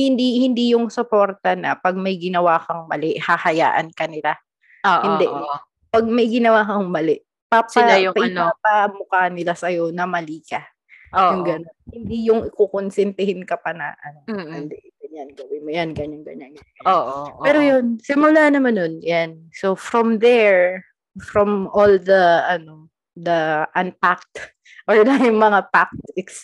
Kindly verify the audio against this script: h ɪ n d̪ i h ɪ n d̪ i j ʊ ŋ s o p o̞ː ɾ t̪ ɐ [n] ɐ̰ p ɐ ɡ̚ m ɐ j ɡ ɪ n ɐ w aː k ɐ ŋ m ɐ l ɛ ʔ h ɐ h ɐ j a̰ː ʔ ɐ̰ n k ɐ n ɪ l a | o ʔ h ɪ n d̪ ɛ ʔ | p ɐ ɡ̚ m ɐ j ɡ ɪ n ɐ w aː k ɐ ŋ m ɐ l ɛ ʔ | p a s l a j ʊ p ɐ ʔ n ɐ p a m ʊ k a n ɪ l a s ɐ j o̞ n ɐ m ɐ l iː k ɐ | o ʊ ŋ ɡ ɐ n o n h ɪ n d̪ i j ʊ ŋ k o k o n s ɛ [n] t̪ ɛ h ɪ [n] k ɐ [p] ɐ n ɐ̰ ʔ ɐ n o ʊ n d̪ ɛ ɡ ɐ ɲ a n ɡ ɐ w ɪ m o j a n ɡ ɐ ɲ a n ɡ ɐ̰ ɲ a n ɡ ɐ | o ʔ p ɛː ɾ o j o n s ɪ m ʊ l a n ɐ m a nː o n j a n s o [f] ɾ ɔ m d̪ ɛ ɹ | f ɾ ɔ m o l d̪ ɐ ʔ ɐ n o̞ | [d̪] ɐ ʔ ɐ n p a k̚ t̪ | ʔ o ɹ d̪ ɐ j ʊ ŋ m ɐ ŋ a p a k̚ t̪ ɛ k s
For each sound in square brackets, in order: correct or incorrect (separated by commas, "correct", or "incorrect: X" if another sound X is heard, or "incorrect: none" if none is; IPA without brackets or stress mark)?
correct, correct, correct, correct, correct, correct